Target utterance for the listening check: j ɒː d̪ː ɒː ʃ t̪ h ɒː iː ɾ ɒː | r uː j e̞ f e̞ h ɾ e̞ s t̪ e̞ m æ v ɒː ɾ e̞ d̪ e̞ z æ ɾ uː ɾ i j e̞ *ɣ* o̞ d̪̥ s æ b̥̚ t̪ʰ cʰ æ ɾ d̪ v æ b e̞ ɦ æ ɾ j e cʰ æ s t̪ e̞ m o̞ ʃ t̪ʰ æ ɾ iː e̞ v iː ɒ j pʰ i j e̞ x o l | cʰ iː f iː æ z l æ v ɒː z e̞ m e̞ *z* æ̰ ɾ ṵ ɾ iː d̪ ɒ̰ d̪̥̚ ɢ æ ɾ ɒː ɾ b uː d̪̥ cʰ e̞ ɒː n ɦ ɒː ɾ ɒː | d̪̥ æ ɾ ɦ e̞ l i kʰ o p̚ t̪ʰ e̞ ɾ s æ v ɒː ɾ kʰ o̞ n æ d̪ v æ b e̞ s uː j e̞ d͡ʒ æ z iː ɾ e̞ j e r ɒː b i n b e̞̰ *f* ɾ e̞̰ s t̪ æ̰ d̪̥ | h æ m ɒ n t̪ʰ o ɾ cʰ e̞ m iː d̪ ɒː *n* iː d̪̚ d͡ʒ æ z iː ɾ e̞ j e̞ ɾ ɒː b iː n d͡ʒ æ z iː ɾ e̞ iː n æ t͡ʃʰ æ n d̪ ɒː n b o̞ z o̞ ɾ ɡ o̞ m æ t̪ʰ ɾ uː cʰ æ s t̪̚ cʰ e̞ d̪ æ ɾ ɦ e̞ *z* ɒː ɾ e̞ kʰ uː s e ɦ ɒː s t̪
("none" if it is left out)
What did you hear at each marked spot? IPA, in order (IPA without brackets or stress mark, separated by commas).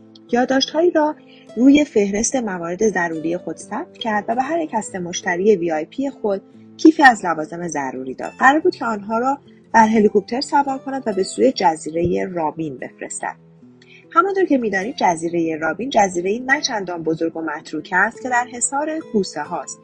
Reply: x, z, f, n, s